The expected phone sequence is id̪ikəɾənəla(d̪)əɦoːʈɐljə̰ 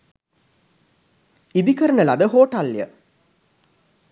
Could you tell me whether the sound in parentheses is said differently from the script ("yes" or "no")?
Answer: no